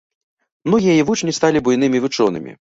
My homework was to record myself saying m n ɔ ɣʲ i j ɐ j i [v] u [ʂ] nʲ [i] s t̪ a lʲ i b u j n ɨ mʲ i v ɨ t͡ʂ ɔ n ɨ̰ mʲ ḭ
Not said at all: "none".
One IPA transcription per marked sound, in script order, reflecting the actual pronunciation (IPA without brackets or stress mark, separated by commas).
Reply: v, t͡ʂ, i